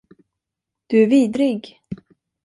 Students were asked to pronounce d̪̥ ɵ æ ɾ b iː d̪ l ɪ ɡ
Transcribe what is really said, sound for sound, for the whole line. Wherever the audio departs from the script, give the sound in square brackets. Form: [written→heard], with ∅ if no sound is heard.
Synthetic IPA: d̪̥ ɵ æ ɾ [b→v] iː d̪ [l→ɾ] ɪ ɡ